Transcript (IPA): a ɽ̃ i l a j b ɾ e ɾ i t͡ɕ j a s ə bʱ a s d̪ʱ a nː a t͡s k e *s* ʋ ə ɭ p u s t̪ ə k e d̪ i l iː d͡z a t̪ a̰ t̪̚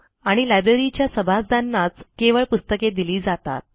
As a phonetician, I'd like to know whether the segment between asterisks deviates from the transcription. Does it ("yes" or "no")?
yes